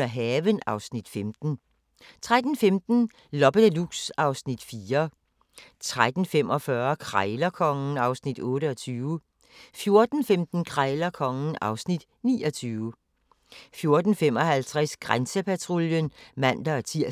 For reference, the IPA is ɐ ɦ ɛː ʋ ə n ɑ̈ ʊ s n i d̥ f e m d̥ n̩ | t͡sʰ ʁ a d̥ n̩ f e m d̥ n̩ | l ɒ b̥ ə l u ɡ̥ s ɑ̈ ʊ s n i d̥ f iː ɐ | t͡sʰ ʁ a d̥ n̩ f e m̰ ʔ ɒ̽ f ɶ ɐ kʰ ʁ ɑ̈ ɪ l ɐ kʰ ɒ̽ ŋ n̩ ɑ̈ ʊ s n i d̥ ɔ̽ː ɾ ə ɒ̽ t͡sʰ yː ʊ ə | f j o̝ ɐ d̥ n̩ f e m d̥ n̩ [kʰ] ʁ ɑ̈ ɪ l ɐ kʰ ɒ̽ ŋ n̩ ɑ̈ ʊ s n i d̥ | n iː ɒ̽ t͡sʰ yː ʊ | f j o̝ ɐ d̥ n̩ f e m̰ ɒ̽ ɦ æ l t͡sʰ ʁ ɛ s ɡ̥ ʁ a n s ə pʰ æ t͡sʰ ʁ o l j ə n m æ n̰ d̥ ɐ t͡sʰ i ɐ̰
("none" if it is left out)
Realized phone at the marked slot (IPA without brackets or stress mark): kʰ